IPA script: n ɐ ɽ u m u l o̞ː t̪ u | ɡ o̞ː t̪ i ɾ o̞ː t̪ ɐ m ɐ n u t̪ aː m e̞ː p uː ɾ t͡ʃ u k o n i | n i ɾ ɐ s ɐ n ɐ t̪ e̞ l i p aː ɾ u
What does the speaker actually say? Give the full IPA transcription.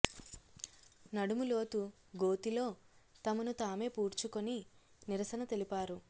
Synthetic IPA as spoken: n ɐ ɽ u m u l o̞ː t̪ u | ɡ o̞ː t̪ i l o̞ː t̪ ɐ m ɐ n u t̪ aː m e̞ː p uː ɾ t͡ʃ u k o n i | n i ɾ ɐ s ɐ n ɐ t̪ e̞ l i p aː ɾ u